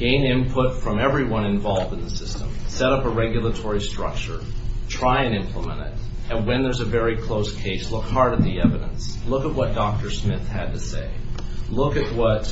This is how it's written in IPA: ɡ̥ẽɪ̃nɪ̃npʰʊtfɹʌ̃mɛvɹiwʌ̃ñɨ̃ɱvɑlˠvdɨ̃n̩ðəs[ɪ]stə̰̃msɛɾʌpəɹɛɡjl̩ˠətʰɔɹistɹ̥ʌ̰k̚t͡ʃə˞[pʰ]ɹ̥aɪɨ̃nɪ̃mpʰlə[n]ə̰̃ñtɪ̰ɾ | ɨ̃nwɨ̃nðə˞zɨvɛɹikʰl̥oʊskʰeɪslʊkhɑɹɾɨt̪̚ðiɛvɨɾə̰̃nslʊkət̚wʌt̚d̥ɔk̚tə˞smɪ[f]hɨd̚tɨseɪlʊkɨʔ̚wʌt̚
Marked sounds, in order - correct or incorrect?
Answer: correct, incorrect: tʰ, incorrect: m, incorrect: θ

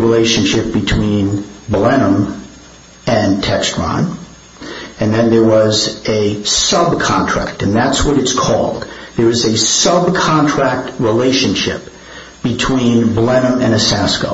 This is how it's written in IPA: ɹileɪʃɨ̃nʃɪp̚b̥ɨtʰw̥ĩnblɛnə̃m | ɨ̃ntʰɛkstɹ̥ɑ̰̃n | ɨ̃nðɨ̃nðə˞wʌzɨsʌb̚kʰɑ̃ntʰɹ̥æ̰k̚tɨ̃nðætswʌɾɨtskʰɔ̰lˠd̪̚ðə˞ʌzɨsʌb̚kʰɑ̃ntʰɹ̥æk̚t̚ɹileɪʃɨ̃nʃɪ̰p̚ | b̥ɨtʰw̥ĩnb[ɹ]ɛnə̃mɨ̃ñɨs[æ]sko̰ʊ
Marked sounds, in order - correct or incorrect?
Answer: incorrect: l, correct

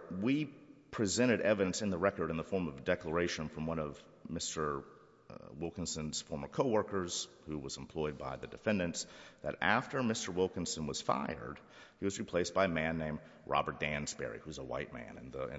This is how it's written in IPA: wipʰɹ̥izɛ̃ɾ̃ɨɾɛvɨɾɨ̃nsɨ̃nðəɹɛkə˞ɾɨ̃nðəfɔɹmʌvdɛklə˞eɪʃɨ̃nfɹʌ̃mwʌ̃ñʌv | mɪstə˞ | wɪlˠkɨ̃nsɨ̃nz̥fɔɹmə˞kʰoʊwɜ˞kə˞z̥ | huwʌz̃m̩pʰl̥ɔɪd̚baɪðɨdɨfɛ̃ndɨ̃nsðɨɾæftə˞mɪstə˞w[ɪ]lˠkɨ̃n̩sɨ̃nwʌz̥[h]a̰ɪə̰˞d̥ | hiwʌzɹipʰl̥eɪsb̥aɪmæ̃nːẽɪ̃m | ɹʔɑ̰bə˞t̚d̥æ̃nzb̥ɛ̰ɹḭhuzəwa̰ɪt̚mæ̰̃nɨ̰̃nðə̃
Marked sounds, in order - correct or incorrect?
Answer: correct, incorrect: f

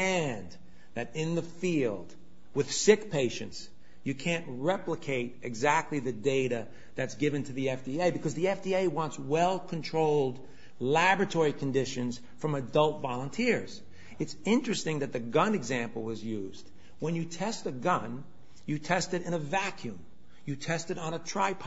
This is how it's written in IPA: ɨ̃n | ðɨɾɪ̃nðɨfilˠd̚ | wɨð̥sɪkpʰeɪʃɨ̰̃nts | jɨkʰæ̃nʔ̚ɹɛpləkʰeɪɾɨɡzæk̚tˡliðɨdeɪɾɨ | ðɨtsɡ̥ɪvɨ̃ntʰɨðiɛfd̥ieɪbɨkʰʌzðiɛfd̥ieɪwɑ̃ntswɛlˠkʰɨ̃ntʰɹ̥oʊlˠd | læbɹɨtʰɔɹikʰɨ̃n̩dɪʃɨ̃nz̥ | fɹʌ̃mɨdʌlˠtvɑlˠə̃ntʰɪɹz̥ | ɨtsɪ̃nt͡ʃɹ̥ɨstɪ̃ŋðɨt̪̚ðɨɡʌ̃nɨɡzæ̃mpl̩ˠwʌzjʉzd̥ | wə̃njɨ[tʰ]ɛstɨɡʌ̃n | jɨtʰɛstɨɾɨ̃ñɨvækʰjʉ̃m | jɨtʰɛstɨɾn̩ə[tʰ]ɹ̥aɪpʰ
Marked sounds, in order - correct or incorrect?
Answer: correct, correct

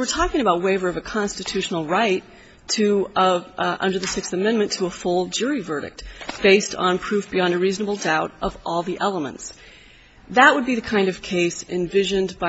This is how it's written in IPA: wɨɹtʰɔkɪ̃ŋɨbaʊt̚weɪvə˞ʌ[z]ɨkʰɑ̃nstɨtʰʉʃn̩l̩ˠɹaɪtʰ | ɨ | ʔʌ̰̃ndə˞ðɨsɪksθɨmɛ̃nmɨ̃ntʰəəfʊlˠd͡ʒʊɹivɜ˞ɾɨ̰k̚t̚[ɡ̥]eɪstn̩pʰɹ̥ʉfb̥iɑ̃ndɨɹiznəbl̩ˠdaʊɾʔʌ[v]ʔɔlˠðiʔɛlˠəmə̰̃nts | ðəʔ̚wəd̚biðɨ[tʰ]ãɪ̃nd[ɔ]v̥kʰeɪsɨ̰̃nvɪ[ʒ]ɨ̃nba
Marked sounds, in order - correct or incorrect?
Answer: incorrect: v, incorrect: b̥, correct, incorrect: kʰ, incorrect: ʌ, correct

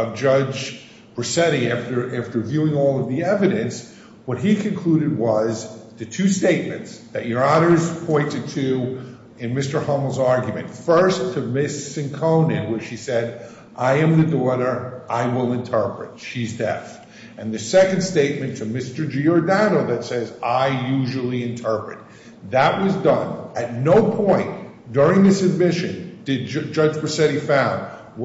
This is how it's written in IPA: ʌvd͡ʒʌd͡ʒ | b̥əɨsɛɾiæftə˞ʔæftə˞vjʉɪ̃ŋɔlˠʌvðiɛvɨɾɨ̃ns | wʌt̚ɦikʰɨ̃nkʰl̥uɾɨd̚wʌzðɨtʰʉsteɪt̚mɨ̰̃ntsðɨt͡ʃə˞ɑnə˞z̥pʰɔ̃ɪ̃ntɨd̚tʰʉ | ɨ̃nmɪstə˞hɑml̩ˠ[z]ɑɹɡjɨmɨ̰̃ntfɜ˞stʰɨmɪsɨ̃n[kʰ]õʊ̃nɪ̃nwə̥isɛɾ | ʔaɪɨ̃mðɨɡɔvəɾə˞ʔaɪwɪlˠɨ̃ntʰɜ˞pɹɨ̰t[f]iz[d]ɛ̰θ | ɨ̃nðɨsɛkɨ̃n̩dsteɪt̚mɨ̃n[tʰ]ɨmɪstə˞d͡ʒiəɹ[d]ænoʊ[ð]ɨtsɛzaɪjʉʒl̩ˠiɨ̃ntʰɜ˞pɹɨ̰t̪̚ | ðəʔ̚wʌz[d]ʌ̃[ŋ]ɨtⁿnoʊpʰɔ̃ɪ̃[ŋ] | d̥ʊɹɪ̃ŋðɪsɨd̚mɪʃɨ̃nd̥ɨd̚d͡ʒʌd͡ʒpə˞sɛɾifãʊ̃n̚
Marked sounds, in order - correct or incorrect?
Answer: correct, correct, incorrect: ʃ, correct, correct, correct, correct, correct, incorrect: n, incorrect: n

